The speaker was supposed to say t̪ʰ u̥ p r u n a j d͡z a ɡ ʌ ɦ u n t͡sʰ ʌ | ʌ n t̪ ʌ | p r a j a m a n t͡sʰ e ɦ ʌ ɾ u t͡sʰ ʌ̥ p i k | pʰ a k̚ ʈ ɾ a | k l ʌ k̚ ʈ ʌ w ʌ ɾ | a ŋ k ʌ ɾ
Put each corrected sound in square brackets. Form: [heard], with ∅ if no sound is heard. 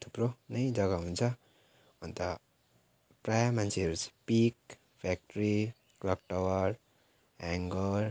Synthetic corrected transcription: t̪ʰ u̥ p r [o] n [ʌ] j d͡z [ʌ] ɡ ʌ ɦ u n t͡sʰ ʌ | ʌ n t̪ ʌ | p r a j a m a n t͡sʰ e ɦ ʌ ɾ u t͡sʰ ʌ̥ p i k | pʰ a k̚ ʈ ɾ [i] | k l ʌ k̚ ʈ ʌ w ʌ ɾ | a ŋ [ɡ] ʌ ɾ